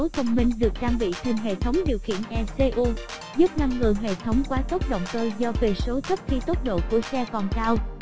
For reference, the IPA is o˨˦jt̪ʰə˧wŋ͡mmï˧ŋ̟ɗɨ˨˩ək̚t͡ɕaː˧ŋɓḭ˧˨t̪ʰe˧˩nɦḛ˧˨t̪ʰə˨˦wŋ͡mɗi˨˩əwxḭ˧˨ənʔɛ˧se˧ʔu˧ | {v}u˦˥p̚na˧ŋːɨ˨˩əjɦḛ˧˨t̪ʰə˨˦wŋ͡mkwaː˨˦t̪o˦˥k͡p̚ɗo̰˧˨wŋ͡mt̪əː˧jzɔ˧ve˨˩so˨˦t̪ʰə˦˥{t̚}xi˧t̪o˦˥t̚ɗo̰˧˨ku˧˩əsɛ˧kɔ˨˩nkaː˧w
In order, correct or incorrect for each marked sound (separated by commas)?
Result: incorrect, incorrect